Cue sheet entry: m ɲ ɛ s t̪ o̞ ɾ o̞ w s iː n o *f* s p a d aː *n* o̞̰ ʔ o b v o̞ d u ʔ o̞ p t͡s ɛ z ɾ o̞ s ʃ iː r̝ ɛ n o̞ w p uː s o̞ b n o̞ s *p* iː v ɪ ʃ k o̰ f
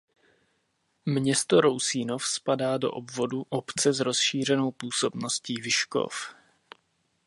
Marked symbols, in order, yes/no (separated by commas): yes, no, no